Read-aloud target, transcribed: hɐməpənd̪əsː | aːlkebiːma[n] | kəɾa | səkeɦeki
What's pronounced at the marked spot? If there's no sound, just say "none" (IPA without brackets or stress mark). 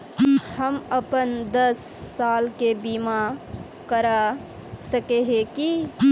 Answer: none